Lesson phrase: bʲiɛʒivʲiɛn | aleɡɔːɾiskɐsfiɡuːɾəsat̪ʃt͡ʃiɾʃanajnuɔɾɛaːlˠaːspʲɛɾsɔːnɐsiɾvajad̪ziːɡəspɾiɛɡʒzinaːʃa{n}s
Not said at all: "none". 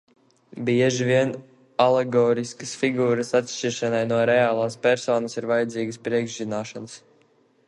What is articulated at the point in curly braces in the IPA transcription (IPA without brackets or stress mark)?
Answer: n